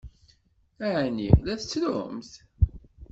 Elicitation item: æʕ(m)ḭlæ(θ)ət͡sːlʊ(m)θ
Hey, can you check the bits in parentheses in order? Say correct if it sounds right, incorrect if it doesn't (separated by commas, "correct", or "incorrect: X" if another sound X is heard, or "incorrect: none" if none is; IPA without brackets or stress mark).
incorrect: n, correct, correct